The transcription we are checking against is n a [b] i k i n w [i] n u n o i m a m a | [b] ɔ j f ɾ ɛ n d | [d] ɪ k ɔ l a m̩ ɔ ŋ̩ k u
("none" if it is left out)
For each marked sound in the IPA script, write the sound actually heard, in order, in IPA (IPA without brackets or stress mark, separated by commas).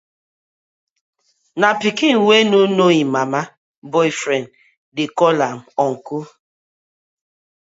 p, e, b, d